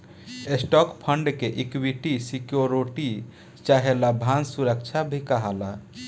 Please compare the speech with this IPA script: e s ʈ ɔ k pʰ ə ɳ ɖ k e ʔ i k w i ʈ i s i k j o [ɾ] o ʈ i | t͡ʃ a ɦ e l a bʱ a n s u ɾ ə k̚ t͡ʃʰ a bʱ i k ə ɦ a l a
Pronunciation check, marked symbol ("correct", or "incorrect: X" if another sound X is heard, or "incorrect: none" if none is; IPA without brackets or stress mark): correct